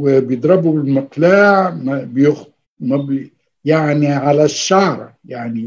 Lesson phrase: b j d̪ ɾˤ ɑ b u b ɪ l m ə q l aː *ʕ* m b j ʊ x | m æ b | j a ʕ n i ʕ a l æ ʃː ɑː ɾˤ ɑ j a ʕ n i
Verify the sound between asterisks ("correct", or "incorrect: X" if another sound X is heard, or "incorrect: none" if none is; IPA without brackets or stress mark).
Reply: correct